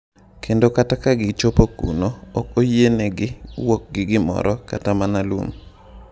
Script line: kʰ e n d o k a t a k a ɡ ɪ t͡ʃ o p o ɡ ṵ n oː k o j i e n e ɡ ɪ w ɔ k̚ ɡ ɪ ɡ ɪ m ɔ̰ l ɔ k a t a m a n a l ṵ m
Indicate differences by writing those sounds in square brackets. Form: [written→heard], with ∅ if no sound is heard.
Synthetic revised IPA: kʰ e n d o k a t a k a ɡ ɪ t͡ʃ o p o [ɡ→k] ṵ n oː k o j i e n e ɡ ɪ w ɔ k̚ ɡ ɪ ɡ ɪ m ɔ̰ [l→ɾ] ɔ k a t a m a n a l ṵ m